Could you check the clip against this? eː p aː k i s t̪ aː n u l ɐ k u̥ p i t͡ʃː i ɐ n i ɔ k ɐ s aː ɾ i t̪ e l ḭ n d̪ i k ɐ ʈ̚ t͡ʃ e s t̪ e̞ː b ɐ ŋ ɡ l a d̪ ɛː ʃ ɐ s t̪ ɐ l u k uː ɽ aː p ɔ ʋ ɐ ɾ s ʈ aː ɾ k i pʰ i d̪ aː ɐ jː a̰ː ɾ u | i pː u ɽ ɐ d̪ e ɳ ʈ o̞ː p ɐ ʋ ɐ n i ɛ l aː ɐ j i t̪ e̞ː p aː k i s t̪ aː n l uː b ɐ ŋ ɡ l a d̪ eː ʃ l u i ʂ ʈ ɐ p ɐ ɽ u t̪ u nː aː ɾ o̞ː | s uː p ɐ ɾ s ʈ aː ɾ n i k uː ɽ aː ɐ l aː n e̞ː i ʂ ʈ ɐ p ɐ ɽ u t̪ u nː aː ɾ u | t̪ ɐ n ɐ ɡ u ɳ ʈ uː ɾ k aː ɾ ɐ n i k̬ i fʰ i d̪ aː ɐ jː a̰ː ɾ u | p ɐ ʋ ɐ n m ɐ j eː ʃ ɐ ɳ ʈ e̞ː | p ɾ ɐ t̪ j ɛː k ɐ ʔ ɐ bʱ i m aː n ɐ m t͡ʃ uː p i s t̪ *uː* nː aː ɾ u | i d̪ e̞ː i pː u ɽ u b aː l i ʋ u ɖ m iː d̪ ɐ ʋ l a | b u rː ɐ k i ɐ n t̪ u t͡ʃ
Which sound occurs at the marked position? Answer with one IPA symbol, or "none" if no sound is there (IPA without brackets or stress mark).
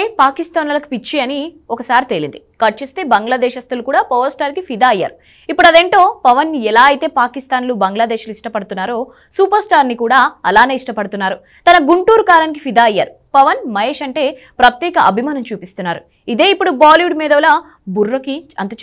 u